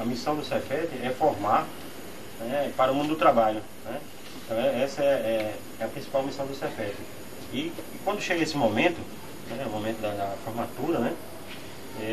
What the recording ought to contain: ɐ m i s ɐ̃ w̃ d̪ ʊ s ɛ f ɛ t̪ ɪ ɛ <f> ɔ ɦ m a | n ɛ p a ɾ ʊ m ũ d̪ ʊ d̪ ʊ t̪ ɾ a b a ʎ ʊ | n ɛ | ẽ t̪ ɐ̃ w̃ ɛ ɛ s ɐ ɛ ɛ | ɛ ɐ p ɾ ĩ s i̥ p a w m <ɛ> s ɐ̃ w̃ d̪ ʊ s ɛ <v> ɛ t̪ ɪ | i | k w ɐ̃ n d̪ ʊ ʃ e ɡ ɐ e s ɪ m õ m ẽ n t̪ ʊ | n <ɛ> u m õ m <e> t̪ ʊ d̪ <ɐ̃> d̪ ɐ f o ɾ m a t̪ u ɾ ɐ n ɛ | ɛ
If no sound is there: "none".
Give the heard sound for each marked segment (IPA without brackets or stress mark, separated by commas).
f, i, f, ɛ, ẽ, ɐ